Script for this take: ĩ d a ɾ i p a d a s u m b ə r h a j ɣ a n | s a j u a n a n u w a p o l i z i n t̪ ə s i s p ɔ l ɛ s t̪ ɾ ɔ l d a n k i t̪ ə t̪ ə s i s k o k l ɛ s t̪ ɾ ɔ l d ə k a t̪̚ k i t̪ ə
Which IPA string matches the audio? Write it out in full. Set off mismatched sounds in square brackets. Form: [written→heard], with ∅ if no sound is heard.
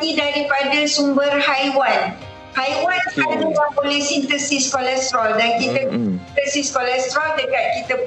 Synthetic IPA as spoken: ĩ d a ɾ i p a d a s u m b ə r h a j [ɣ→w] a n | [s→h] a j [u→w] a n a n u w a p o l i [z→s] i n t̪ ə s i s [p→k] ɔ l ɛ s t̪ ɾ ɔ l d a n k i t̪ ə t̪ ə s i s k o [k→∅] l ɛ s t̪ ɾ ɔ l d ə k a t̪̚ k i t̪ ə